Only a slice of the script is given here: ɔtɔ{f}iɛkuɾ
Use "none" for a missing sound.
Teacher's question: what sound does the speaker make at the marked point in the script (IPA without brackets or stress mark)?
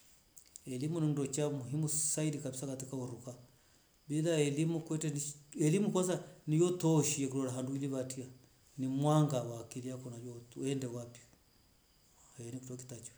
ʃ